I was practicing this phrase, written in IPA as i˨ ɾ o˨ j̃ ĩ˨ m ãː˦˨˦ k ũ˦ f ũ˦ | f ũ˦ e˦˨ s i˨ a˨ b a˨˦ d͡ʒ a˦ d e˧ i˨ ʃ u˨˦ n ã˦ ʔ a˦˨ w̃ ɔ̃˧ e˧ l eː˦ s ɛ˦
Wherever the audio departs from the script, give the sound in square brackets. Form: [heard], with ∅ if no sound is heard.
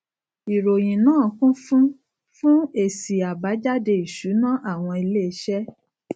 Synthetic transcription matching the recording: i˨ ɾ o˨ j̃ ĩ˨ [n] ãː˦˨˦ k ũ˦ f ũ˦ | f ũ˦ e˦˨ s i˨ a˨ b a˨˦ d͡ʒ a˦ d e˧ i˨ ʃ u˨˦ n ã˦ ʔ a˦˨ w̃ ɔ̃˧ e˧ l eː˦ [ʃ] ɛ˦